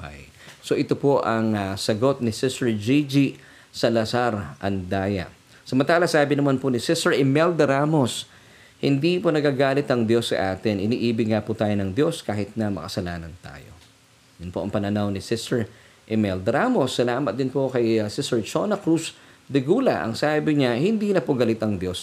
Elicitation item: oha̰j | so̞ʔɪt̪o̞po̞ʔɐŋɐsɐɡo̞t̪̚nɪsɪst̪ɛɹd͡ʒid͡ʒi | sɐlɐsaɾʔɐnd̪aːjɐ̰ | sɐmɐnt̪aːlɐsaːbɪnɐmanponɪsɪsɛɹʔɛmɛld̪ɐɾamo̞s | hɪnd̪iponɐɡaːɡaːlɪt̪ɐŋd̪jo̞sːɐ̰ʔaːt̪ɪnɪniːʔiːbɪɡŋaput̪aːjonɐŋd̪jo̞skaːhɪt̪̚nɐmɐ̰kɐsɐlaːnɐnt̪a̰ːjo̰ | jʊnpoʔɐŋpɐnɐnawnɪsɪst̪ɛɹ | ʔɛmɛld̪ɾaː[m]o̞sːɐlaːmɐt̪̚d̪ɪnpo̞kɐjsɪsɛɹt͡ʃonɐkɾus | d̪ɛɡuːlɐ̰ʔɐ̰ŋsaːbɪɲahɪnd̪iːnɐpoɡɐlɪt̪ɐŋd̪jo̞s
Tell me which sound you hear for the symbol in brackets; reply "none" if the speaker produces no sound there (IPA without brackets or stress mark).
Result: m